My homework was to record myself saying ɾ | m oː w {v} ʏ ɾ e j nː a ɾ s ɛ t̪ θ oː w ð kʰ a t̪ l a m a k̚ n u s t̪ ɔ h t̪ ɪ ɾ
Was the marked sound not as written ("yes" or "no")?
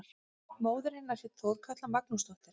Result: yes